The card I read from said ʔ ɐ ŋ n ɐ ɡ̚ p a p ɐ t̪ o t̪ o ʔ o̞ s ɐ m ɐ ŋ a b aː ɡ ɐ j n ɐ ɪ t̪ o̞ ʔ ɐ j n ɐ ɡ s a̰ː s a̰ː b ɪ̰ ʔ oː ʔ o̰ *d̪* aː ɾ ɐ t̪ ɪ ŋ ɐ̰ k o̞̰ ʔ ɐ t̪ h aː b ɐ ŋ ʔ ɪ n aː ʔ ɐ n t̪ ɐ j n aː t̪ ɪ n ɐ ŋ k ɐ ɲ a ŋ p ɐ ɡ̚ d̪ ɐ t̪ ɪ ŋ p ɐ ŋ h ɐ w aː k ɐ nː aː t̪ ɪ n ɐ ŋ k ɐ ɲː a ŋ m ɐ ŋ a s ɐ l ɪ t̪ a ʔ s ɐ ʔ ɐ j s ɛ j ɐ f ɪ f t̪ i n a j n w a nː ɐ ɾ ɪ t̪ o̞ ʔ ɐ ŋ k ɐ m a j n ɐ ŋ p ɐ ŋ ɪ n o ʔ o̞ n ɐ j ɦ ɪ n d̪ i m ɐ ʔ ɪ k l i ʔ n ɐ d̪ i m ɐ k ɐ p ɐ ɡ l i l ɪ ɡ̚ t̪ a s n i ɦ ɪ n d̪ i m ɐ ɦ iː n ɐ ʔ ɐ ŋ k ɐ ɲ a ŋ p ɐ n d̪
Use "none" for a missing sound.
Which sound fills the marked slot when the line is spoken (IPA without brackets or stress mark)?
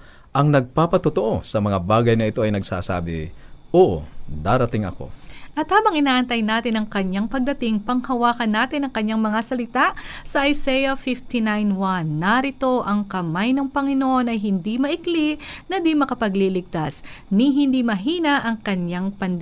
d̪